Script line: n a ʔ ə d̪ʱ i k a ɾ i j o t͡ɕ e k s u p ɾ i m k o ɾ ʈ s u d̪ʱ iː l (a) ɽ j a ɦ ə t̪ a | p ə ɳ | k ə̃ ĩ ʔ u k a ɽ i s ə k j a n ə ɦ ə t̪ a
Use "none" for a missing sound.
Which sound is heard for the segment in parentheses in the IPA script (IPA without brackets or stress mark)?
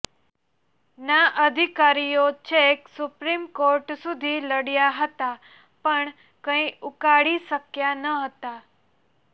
ə